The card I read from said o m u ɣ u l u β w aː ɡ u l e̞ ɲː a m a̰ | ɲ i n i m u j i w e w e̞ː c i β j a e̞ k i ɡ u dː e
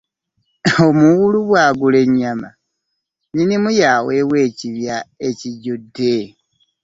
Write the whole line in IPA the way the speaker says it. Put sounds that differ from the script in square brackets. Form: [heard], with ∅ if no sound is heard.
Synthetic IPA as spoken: o m u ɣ u l u β w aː ɡ u l e̞ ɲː a m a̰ | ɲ i n i m u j [a] w e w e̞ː c i β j a e̞ [c] i [ɟ] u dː e

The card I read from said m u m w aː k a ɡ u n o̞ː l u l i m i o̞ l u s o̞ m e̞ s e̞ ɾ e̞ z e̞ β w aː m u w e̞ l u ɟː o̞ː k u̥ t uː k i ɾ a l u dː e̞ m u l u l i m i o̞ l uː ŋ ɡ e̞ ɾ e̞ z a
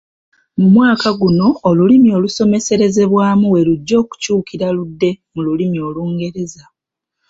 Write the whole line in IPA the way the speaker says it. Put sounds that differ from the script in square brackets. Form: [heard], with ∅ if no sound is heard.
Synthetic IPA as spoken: m u m w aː k a ɡ u n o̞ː l u l i m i o̞ l u s o̞ m e̞ s e̞ ɾ e̞ z e̞ β w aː m u w e̞ l u ɟː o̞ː k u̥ [c] uː k i ɾ a l u dː e̞ m u l u l i m i o̞ l uː ŋ ɡ e̞ ɾ e̞ z a

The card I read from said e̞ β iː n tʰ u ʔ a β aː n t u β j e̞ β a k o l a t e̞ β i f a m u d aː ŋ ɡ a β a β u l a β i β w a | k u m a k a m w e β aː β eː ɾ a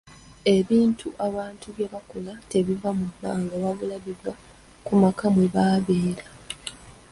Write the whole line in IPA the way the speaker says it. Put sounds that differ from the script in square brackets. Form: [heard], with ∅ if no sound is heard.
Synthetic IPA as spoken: e̞ β iː n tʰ u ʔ a β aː n t u β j e̞ β a k o l a t e̞ β i [v] a m u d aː ŋ ɡ a β a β u l a β i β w a | k u m a k a m w e β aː β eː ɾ a

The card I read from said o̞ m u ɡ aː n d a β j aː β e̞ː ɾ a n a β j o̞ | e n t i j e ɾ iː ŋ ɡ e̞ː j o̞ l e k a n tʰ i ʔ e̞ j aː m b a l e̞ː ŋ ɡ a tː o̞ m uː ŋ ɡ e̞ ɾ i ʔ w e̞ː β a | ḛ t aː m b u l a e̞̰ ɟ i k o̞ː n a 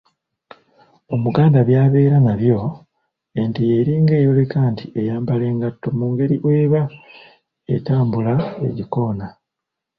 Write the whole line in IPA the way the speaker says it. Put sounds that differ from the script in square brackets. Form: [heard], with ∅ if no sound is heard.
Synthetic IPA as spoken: o̞ m u ɡ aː n d a β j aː β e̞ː ɾ a n a β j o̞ | e n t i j e ɾ iː ŋ ɡ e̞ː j o̞ l e k a n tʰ i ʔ e̞ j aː m b a l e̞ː ŋ ɡ a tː o̞ m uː ŋ ɡ e̞ ɾ i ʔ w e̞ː β a | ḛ t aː m b u l a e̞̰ ɟ i k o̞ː n a

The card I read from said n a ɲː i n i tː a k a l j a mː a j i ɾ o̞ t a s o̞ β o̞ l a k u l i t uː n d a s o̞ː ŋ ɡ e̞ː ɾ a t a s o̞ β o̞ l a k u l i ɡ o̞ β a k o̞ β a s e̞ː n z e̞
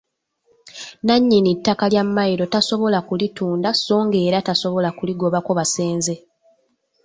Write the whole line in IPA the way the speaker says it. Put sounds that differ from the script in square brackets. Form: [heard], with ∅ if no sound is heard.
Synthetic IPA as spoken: n a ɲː i n i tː a k a l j a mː a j i ɾ o̞ t a s o̞ β o̞ l a k u l i t uː n d a s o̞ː ŋ ɡ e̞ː ɾ a t a s o̞ β o̞ l a k u l i ɡ o̞ β a k o̞ β a s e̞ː n z e̞

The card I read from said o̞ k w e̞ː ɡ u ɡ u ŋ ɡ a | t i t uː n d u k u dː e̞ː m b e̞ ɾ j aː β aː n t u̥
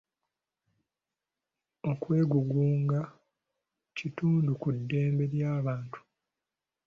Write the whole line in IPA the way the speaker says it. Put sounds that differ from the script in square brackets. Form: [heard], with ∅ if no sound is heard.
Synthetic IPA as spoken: o̞ k w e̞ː ɡ u ɡ [uː] ŋ ɡ a | [c] i t uː n d u k u dː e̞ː m b e̞ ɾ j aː β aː n t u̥

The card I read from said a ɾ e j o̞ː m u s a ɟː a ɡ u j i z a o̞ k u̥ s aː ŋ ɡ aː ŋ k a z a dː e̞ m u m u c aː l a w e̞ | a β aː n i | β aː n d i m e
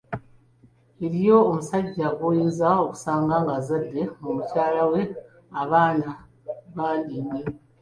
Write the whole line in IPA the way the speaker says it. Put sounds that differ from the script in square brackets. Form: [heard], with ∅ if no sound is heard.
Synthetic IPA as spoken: [e] ɾ [i] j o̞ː m u s a ɟː a ɡ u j i z a o̞ k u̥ s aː ŋ ɡ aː ŋ [ɡ] a z a dː e̞ m u m u c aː l a w e̞ | a β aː n [a] | β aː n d i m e

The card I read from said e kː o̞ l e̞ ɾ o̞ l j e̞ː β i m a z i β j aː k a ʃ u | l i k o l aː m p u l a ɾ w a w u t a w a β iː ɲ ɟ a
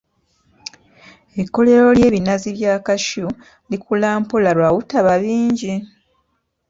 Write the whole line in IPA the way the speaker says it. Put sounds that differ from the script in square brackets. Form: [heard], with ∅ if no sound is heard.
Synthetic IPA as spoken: e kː o̞ l e̞ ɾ o̞ l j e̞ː β i [n] a z i β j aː k a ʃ u | l i k [u] l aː m p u l a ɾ w a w u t a [β] a β iː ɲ ɟ [i]

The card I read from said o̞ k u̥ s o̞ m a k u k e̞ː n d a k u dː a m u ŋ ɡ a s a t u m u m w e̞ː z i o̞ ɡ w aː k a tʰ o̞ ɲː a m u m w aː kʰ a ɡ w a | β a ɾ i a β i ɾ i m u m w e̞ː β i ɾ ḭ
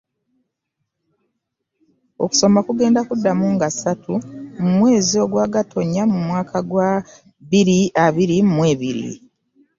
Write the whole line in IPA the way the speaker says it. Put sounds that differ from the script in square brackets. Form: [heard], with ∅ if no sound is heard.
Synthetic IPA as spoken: o̞ k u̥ s o̞ m a k u [ɡ] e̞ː n d a k u dː a m u ŋ ɡ a s a t u m u m w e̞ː z i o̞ ɡ w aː [ɡ] a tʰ o̞ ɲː a m u m w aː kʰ a ɡ w a | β [i] ɾ i a β i ɾ i m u m w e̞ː β i ɾ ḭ

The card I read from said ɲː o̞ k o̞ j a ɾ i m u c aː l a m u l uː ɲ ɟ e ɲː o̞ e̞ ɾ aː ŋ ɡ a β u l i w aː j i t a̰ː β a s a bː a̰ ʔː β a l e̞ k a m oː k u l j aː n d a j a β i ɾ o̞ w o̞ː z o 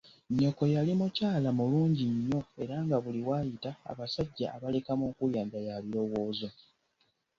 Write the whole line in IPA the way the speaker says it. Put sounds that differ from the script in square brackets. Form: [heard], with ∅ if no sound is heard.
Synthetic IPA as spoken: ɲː o̞ k o̞ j a [l] i m u c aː l a m u l uː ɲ ɟ [i] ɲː o̞ e̞ ɾ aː ŋ ɡ a β u l i w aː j i t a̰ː β a s a [ɟː] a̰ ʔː β a l e̞ k a m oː k u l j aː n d a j a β i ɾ o̞ w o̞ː z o

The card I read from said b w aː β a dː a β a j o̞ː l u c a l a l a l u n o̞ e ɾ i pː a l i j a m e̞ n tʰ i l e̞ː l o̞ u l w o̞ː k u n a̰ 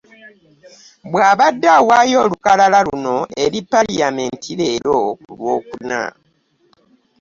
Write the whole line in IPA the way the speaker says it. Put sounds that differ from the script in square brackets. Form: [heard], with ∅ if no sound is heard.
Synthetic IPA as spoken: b w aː β a dː a [w] a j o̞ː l u [k] a l a l a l u n o̞ e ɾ i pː a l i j a m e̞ n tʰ i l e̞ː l o̞ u l w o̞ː k u n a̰

